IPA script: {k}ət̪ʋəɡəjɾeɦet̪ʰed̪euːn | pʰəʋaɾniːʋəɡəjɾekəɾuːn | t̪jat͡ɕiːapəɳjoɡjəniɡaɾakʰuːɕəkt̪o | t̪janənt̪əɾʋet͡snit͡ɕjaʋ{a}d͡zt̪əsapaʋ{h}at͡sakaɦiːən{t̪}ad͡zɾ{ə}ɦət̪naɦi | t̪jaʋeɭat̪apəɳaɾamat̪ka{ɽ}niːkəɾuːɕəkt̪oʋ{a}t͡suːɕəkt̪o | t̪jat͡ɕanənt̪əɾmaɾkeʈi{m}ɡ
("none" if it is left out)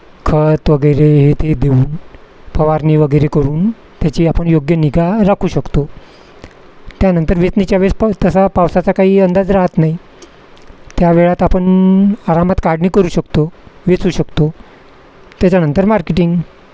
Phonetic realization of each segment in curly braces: kʰ, e, s, d̪, a, ɽ, e, ŋ

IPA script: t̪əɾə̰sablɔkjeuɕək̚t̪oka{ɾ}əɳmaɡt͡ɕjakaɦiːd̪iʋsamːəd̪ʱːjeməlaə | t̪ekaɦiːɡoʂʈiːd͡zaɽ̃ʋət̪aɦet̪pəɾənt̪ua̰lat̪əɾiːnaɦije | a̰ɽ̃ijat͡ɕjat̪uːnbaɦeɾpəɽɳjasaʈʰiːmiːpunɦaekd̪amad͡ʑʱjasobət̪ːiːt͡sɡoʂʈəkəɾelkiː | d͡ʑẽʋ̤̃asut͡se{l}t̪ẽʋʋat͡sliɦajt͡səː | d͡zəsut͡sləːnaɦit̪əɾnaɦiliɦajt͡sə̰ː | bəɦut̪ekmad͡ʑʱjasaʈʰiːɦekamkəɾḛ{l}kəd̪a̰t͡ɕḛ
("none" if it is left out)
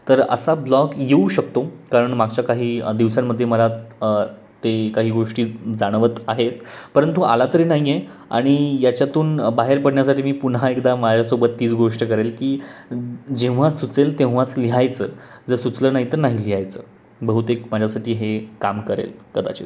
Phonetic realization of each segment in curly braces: ɾ, l, l

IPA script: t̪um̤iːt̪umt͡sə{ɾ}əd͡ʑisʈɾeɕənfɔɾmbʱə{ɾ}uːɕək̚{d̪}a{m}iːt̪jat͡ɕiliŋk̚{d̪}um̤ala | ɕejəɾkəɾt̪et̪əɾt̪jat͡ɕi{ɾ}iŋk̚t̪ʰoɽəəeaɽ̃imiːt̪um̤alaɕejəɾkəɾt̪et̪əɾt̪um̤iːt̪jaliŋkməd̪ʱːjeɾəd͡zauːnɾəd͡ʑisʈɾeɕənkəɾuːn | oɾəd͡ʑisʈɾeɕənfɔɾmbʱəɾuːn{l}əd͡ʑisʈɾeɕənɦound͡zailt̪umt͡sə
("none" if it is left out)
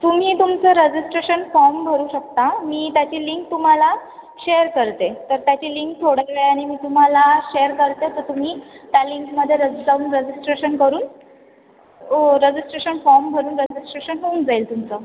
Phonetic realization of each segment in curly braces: ɾ, ɾ, t̪, m, t̪, l, ɾ

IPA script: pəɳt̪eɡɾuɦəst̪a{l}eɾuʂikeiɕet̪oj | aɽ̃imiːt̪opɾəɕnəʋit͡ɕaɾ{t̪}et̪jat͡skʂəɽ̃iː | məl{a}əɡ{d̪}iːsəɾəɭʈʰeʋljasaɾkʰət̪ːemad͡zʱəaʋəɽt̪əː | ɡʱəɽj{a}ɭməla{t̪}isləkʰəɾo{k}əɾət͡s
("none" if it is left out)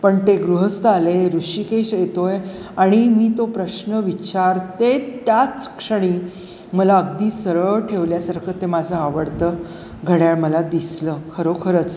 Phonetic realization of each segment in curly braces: l, t̪, a, d̪, a, d̪, kʰ

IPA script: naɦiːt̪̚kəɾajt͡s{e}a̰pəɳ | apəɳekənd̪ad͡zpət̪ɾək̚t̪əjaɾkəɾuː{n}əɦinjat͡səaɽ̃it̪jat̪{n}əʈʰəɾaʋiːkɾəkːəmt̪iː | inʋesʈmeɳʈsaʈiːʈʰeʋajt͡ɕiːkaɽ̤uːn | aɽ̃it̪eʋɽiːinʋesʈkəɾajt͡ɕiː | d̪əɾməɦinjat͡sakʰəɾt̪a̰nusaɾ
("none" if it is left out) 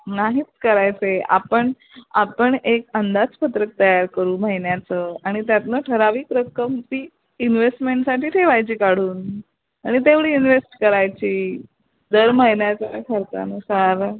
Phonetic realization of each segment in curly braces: e, m, n

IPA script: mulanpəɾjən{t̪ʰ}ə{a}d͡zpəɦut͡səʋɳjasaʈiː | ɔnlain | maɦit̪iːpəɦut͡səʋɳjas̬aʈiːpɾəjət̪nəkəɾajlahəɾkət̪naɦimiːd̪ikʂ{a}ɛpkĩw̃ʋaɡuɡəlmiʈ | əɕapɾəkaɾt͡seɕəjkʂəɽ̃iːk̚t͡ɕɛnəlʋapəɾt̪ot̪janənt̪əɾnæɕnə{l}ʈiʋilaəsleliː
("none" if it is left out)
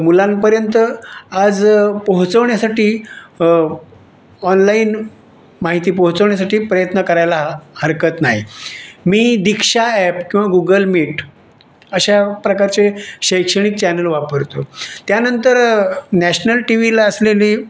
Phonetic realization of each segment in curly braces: t̪, a, a, l

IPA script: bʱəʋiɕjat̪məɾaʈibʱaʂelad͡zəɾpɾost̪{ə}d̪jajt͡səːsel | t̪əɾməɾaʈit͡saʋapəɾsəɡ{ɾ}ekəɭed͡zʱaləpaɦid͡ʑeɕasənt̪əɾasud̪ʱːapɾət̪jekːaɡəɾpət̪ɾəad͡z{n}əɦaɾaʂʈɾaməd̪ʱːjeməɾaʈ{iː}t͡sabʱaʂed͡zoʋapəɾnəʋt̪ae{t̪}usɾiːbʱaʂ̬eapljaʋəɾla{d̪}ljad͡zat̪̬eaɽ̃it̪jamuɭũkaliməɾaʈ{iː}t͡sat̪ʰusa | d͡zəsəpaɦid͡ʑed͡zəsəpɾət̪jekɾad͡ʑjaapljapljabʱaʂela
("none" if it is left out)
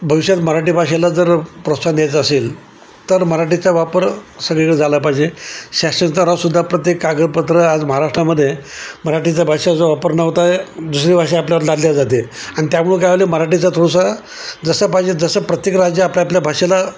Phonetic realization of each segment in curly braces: a, ɭ, m, i, d̪, d̪, i

